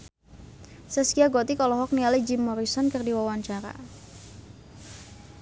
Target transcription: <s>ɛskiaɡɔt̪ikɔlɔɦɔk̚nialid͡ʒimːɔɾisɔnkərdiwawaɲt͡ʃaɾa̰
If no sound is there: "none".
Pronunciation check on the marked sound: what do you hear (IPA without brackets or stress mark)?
s